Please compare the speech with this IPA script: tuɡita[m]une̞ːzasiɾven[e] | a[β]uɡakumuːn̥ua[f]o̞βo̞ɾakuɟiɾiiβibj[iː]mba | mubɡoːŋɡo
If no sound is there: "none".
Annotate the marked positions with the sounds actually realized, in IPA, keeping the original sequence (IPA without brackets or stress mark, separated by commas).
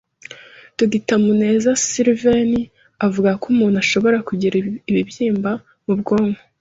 m, i, v, ʃ, iː